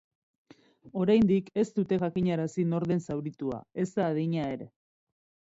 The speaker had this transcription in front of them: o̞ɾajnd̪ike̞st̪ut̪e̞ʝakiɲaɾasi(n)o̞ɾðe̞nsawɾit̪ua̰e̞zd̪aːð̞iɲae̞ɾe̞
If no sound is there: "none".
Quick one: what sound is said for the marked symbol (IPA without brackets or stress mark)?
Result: n